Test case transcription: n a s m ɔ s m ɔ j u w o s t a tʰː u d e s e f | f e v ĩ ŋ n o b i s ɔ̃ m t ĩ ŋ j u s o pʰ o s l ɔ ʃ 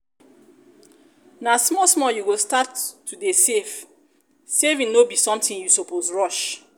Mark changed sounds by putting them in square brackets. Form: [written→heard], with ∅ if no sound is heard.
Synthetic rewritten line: n a s m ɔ s m ɔ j u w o s t a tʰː u d e s e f | [f→s] e v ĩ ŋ n o b i s ɔ̃ m t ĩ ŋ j u s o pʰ o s [l→ɹ] ɔ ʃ